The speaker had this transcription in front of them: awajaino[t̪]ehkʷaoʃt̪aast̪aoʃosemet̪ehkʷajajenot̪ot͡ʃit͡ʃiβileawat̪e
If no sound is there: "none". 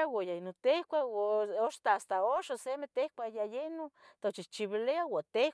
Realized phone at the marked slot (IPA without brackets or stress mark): t̪